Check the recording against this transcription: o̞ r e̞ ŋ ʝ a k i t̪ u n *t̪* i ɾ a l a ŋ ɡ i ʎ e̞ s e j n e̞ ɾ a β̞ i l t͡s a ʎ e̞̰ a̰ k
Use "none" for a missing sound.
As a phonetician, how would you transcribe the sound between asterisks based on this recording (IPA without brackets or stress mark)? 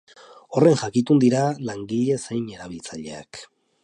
d̪